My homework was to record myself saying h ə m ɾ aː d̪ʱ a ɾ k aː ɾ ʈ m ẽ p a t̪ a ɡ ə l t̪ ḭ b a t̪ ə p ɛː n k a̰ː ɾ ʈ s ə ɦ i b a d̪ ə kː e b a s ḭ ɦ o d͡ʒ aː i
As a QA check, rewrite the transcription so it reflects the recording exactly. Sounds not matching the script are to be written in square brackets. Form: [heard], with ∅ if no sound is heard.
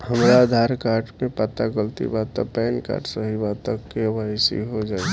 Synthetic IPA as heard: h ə m ɾ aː d̪ʱ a ɾ k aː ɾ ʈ m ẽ p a t̪ a ɡ ə l t̪ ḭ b a t̪ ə p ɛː n k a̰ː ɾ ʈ s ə ɦ i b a [t̪] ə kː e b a s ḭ ɦ o d͡ʒ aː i